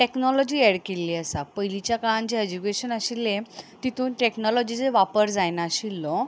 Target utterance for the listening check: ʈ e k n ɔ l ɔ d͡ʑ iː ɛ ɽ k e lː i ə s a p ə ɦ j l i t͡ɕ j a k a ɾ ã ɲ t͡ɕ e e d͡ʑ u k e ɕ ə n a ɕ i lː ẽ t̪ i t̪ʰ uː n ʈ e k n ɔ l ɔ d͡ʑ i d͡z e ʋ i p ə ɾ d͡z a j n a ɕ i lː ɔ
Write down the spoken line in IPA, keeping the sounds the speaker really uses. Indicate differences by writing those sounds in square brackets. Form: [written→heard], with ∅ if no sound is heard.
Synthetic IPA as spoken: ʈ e k n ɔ l ɔ d͡ʑ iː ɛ ɽ k e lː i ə s a p ə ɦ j l i t͡ɕ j a k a [ɾ→ɭ] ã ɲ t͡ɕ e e d͡ʑ u k e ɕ ə n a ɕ i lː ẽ t̪ i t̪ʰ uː n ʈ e k n ɔ l ɔ d͡ʑ i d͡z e ʋ [i→a] p ə ɾ d͡z a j n a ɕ i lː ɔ

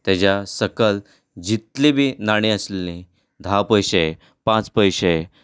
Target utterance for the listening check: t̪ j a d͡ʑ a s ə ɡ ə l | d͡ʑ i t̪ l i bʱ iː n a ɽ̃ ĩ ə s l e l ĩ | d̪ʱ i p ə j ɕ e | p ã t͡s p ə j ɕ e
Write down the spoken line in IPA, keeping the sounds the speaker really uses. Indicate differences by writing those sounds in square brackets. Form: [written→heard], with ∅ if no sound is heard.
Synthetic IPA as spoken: t̪ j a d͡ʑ a s ə [ɡ→k] ə l | d͡ʑ i t̪ l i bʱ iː n a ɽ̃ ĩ ə s l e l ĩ | d̪ʱ [i→a] p ə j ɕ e | p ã t͡s p ə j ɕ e

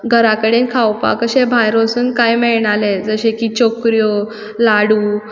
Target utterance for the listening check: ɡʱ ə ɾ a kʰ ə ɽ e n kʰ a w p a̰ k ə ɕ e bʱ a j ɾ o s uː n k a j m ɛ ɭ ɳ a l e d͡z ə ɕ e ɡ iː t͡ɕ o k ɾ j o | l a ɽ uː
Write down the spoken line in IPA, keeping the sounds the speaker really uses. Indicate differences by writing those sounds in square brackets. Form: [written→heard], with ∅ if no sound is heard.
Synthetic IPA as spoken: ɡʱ ə ɾ a [kʰ→k] ə ɽ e n kʰ a w p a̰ k ə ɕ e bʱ a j ɾ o s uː n k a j m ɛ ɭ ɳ a l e d͡z ə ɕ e [ɡ→k] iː t͡ɕ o k ɾ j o | l a ɽ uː

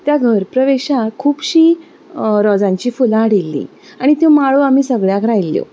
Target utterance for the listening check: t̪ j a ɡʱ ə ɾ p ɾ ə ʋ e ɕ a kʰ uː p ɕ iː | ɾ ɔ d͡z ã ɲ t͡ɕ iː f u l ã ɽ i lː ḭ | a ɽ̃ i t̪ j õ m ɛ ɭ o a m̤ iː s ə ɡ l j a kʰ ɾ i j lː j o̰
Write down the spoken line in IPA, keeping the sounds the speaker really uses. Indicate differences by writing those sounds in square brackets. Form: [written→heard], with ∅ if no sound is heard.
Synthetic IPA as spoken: t̪ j a ɡʱ ə ɾ p ɾ ə ʋ e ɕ a kʰ uː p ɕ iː | ɾ ɔ d͡z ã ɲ t͡ɕ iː f u l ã ɽ i lː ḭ | a ɽ̃ i t̪ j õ m [ɛ→a] ɭ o a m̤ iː s ə ɡ [l→ɭ] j a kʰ ɾ [i→a] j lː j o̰

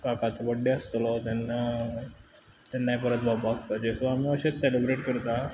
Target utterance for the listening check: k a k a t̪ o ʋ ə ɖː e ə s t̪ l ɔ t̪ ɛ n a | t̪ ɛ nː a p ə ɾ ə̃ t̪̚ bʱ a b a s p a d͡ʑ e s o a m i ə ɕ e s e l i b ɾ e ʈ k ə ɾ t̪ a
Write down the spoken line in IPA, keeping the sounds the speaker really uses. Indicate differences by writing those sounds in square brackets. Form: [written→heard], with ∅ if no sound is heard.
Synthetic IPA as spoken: k a k a t̪ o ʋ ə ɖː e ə s t̪ l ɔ t̪ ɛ n a | t̪ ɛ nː a p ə ɾ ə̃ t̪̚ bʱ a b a s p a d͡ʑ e s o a m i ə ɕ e s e l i b ɾ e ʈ k ə ɾ t̪ a

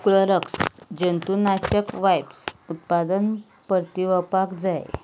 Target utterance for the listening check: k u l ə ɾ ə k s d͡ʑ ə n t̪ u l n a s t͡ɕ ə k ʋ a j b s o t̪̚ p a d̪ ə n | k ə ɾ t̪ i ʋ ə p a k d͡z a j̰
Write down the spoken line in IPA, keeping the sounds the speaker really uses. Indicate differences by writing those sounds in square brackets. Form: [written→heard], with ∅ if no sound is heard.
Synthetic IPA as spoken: k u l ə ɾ ə k s d͡ʑ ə n t̪ u [l→∅] n a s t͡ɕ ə k ʋ a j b s [o→u] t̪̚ p a d̪ ə n | [k→p] ə ɾ t̪ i ʋ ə p a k d͡z a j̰

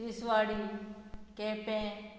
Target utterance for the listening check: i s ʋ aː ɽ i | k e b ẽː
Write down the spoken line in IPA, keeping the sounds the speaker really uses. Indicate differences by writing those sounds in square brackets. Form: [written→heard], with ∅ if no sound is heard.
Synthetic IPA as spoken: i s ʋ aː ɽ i | k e [b→p] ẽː

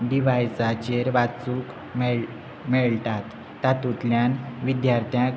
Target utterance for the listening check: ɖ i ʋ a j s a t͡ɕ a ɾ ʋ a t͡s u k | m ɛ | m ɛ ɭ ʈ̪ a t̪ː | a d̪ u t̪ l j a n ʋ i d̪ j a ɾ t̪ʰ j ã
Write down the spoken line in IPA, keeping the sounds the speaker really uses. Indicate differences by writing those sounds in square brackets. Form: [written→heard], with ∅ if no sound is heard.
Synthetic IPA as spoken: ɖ i ʋ a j s a t͡ɕ [a→e] ɾ ʋ a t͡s u k | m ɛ | m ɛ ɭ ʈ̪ a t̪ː | a [d̪→t̪] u t̪ l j a n ʋ i d̪ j a ɾ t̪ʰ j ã

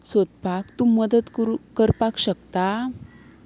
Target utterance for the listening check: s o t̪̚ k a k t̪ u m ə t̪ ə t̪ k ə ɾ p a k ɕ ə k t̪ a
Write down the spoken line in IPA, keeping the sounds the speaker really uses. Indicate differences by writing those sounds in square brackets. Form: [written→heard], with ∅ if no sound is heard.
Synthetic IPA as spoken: s o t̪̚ [k→p] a k t̪ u m ə [t̪→d̪] ə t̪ k ə ɾ p a k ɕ ə k t̪ a

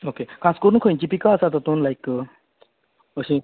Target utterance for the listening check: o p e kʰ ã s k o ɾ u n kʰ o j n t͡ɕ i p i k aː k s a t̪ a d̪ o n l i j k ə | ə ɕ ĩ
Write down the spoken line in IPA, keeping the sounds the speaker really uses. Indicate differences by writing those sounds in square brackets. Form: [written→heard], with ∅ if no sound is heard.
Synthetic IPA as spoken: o [p→k] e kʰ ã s k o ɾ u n kʰ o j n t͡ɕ i p i k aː [k→∅] s a t̪ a [d̪→t̪] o n l [i→a] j k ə | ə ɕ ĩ

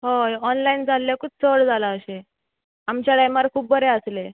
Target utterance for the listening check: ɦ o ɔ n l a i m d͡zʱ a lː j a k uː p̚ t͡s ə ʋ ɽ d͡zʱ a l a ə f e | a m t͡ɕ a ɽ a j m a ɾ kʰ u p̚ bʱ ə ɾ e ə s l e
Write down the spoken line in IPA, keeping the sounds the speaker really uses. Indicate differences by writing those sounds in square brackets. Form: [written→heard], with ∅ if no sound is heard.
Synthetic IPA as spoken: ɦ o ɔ n l a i [m→n] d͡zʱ a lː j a k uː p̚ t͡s ə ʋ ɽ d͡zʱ a l a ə [f→ɕ] e | a m t͡ɕ a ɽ a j m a ɾ kʰ [u→uː] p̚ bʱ ə ɾ e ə s l e

